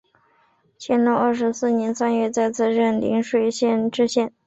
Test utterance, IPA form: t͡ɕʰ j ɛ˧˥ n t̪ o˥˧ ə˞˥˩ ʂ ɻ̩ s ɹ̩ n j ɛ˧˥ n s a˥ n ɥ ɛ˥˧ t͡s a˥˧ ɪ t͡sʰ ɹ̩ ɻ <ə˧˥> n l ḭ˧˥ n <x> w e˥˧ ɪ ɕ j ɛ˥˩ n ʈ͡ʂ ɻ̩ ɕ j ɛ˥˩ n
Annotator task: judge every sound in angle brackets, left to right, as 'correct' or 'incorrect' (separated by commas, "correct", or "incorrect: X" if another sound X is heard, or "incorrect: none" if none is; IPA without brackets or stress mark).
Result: incorrect: ə˥˩, incorrect: ʂ